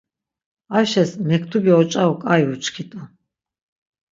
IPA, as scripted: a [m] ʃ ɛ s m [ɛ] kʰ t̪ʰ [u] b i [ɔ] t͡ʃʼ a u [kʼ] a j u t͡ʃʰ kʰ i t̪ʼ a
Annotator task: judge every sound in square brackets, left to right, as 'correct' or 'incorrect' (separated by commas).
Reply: incorrect, correct, correct, correct, correct